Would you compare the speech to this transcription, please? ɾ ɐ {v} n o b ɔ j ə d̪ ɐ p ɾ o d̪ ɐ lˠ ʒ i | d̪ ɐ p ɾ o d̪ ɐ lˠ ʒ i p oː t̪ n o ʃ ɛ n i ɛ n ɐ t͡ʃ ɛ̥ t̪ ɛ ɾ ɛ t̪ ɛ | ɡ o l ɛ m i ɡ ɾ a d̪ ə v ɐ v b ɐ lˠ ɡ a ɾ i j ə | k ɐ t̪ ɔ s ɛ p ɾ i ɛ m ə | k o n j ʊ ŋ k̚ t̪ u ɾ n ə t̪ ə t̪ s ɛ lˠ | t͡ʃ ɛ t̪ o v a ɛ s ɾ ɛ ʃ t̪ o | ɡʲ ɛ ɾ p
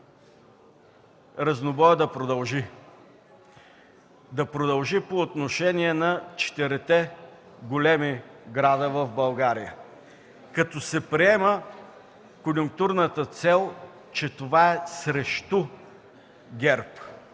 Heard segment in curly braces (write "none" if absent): z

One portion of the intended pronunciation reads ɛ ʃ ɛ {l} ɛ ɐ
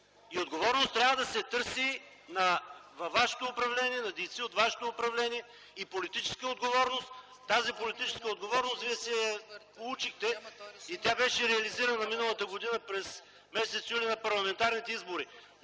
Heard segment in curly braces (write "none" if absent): ɾ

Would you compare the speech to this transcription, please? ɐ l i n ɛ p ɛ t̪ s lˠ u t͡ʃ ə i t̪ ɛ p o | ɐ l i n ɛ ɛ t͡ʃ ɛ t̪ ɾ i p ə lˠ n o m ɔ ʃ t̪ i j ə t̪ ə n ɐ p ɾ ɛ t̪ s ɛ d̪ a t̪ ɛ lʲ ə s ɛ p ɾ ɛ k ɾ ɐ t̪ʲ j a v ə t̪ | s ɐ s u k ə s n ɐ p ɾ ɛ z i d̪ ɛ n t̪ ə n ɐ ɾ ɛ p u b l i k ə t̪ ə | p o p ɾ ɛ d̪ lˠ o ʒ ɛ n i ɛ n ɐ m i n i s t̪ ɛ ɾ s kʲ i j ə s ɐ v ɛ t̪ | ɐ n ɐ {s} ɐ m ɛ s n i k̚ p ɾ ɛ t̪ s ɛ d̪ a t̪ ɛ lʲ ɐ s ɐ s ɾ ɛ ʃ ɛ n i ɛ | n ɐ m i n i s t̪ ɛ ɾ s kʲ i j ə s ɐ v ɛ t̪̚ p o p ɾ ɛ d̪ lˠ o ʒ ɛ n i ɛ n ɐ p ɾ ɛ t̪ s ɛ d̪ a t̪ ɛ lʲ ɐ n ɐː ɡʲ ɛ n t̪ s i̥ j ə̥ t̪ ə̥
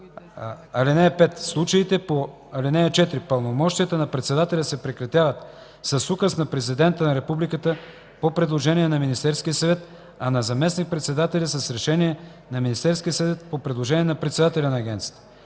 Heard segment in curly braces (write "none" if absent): z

